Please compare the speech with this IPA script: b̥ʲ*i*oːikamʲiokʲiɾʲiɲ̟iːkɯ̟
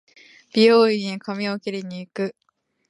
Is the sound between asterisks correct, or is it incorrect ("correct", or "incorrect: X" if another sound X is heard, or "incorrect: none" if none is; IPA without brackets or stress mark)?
correct